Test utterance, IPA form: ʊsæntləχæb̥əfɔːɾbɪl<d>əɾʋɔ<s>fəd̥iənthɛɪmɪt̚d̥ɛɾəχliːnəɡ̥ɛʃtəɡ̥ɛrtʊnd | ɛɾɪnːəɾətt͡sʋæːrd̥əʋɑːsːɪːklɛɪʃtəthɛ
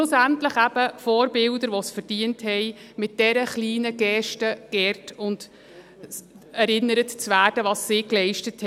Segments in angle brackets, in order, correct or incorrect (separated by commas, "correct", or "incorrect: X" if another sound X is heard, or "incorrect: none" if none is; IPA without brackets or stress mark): correct, correct